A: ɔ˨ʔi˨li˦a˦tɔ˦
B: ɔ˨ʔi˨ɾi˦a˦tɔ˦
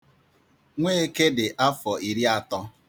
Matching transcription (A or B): B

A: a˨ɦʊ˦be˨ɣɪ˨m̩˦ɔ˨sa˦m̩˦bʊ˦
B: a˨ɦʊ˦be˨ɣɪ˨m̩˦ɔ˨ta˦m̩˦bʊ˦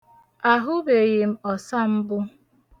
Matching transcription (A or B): A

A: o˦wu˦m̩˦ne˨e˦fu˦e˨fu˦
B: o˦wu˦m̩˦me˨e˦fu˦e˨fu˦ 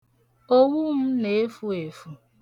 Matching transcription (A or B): A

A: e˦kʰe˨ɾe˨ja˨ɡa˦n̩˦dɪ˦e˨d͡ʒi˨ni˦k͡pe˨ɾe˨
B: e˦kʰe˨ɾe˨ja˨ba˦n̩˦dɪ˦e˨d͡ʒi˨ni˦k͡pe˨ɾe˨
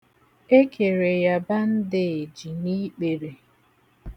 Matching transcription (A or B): B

